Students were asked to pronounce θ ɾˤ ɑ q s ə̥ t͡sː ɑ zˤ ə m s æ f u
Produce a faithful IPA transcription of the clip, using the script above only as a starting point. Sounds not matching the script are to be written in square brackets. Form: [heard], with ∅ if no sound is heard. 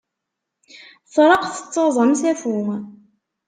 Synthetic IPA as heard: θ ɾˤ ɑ q [θ] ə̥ t͡sː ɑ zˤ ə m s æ f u